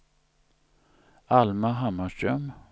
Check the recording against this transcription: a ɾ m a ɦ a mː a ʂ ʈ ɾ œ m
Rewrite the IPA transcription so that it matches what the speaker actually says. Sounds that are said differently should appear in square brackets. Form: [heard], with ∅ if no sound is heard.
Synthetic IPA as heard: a [l] m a ɦ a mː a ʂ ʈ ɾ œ m